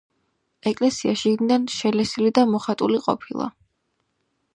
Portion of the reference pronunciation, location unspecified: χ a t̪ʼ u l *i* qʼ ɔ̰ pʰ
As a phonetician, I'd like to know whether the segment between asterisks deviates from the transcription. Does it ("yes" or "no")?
no